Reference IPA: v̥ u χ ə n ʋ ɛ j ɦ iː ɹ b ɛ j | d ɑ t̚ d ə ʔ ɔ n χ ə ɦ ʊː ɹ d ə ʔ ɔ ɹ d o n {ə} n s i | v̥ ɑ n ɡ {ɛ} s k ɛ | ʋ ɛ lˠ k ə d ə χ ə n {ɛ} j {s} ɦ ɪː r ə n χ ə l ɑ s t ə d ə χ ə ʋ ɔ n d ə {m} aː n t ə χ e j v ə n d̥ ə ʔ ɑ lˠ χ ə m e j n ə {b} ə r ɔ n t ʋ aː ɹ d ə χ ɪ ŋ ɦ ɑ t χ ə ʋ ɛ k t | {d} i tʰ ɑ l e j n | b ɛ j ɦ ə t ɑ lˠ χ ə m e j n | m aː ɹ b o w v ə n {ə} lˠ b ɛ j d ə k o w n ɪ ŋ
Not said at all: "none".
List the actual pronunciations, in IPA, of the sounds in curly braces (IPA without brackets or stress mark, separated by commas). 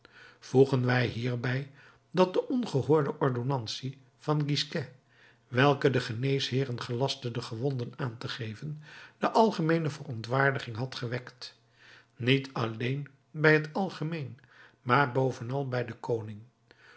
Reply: ɑ, i, e, s, n, v, n, ɑ